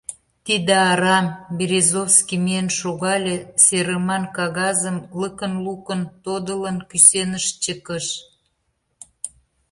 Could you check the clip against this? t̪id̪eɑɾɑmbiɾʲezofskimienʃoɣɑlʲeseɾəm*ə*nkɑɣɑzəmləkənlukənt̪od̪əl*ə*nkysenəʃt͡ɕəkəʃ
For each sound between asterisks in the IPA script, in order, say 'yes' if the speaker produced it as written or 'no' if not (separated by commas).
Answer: no, yes